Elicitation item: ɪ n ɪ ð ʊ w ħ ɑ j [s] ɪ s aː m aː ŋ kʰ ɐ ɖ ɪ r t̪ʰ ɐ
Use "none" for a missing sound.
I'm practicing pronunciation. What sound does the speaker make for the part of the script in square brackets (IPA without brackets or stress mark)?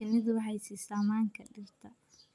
s